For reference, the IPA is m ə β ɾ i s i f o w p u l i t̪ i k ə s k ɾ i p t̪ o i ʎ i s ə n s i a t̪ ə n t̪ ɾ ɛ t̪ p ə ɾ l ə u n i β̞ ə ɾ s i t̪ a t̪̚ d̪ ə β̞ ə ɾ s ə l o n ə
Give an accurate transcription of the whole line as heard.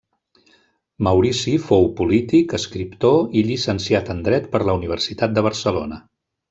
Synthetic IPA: m ə w ɾ i s i f o w p u l i t̪ i k ə s k ɾ i p t̪ o i ʎ i s ə n s i a t̪ ə n d̪ ɾ ɛ t̪ p ə ɾ l ə u n i β̞ ə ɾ s i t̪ a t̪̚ d̪ ə β̞ ə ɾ s ə l o n ə